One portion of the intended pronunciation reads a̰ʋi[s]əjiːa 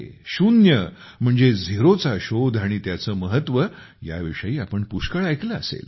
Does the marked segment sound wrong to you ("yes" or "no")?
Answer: yes